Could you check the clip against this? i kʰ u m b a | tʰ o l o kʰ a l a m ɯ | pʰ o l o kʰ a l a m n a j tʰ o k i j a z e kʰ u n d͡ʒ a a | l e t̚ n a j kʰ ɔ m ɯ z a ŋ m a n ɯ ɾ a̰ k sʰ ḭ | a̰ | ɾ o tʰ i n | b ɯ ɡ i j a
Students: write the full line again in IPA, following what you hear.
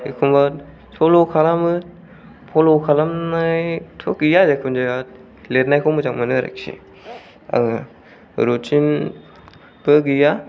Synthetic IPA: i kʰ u m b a | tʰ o l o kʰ a l a m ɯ | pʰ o l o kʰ a l a m n a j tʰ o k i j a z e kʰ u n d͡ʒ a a | l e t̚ n a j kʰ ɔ m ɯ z a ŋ m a n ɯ ɾ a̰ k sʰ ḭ | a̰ | ɾ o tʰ i n | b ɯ ɡ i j a